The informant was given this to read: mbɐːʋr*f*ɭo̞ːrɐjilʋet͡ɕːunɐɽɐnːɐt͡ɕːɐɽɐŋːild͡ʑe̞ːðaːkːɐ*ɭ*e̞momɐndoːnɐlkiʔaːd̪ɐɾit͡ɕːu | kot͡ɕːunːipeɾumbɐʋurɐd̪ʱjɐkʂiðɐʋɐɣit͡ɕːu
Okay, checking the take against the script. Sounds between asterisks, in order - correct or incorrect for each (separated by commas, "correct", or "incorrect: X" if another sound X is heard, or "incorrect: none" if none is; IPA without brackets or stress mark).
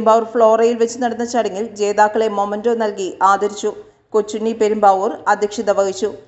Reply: correct, correct